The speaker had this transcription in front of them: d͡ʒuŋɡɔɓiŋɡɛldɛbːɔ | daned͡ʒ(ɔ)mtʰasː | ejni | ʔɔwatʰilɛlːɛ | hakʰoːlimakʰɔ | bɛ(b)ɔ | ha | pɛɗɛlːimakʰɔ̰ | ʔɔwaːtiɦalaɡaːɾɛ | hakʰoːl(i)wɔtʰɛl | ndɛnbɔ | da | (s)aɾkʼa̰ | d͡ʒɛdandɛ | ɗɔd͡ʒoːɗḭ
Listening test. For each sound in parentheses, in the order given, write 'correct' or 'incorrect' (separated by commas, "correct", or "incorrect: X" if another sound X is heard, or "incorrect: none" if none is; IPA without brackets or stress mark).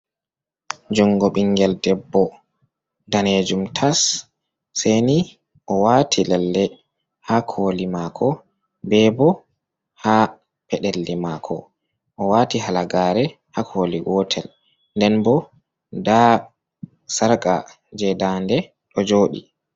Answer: incorrect: u, correct, correct, correct